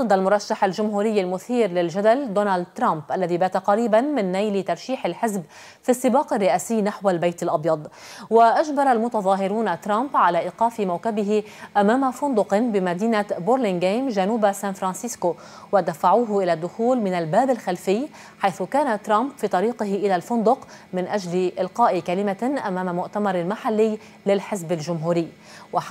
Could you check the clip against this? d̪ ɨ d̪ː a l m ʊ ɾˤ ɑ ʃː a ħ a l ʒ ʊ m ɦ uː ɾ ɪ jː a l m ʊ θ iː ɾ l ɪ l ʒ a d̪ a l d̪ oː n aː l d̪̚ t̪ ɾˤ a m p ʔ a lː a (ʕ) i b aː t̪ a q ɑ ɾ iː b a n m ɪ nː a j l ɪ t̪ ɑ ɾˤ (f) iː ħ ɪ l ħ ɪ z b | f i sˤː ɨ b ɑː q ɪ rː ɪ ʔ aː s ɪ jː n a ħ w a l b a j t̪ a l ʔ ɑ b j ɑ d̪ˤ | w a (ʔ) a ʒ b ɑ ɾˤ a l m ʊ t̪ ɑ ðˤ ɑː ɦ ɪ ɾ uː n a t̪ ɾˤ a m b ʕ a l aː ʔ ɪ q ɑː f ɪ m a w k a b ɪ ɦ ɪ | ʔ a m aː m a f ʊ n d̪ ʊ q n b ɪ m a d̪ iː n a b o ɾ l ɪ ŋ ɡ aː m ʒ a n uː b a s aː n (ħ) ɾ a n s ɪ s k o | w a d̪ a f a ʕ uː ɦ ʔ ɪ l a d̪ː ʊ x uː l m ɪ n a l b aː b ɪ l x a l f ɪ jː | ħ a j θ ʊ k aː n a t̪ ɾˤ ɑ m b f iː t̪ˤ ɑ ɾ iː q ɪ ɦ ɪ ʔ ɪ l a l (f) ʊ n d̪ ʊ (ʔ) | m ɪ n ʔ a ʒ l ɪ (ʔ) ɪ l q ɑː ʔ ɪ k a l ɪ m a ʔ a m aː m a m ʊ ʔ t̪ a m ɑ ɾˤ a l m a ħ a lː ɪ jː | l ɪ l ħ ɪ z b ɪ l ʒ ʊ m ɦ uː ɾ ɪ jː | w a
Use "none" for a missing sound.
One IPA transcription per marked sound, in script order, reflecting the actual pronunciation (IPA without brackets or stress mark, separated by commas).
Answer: ð, ʃ, ʔ, f, f, q, ʔ